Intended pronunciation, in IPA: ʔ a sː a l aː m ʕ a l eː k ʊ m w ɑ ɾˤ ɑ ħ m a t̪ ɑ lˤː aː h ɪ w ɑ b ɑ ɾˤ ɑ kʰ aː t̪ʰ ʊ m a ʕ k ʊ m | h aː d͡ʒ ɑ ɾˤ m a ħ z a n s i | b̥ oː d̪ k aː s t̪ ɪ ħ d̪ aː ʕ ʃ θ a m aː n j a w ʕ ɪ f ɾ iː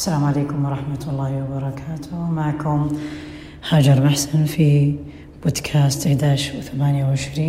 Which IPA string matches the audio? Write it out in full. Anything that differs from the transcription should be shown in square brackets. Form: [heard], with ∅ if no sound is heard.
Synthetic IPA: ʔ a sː a l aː m ʕ a l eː k ʊ m w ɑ ɾˤ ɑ ħ m a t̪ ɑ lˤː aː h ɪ w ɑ b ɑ ɾˤ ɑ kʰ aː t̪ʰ ʊ m a ʕ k ʊ m | h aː d͡ʒ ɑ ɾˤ m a ħ [s] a n [f] i | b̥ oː d̪ [kʰ] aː s t̪ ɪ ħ d̪ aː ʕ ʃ θ a m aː n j a w ʕ ɪ [ʃ] ɾ iː